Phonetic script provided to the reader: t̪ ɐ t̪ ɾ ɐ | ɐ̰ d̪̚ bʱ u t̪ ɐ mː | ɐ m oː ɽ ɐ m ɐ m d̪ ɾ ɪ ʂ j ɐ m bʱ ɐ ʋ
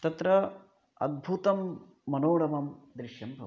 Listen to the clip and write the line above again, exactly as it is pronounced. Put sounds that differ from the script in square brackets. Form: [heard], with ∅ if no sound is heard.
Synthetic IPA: t̪ ɐ t̪ ɾ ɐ | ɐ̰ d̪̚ bʱ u t̪ ɐ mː | ɐ [n] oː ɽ ɐ m ɐ m d̪ ɾ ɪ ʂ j ɐ m bʱ ɐ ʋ